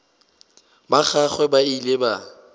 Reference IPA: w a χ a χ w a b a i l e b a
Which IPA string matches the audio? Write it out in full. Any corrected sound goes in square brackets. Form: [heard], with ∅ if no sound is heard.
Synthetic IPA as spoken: [b] a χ a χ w [ɛ] b a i l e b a